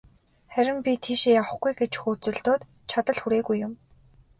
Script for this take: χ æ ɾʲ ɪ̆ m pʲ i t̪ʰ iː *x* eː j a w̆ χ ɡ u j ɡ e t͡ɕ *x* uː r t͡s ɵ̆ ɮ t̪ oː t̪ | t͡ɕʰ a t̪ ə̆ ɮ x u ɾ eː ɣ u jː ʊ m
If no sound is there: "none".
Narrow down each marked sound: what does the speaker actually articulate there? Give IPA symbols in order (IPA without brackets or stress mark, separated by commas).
ʃ, x